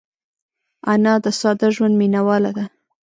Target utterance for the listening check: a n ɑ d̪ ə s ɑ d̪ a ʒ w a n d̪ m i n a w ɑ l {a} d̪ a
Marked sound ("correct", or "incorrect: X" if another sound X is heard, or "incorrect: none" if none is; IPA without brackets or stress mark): correct